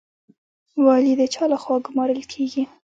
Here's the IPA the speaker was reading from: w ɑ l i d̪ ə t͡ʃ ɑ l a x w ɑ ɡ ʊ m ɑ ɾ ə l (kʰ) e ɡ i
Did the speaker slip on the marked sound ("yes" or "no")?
no